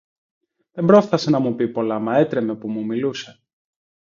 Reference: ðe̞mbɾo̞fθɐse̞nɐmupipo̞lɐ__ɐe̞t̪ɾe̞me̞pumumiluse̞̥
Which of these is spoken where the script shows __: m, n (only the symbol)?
m